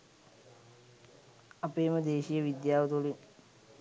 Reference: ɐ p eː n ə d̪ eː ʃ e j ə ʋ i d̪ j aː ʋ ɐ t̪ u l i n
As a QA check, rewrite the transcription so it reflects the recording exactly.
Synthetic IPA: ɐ p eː m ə d̪ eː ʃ i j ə ʋ i d̪ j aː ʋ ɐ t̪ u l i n